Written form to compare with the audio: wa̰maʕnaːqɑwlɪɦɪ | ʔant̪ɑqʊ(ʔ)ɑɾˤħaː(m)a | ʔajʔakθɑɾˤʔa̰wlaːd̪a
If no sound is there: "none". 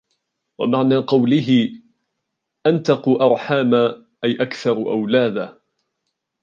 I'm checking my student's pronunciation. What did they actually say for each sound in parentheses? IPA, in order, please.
ʔ, m

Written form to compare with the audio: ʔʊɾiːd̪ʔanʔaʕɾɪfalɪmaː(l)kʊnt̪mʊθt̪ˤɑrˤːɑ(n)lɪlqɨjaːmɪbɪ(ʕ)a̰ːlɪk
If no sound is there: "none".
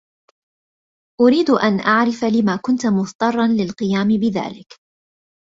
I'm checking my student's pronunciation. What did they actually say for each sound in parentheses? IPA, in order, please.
none, n, ð

